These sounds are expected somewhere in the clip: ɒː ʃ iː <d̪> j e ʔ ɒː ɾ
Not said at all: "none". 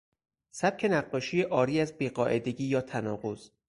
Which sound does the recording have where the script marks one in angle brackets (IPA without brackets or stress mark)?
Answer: none